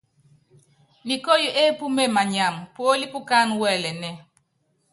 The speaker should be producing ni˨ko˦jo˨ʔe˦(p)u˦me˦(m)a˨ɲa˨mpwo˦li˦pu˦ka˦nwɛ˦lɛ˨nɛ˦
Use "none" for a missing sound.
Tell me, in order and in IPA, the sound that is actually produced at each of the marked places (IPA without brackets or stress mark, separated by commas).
p, m